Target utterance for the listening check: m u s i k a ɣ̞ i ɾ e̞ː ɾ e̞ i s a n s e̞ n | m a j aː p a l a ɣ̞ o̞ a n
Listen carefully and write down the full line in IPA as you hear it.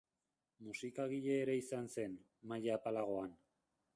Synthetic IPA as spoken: m u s i k a ɣ̞ i ʎ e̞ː ɾ e̞ i s a n s e̞ n | m a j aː p a l a ɣ̞ o̞ a n